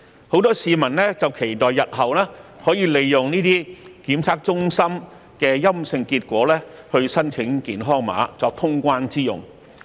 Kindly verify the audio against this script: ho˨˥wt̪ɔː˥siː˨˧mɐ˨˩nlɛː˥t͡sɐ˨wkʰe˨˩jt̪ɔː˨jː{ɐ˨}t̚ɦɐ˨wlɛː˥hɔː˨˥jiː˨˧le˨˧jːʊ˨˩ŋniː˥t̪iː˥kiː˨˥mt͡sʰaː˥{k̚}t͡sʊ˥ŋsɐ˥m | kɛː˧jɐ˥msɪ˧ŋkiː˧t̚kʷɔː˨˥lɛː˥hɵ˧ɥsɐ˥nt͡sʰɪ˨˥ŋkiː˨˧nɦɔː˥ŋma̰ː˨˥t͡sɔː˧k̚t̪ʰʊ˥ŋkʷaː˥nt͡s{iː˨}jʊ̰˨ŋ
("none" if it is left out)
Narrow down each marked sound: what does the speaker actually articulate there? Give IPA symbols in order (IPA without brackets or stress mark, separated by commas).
ɐ˨, k̚, iː˥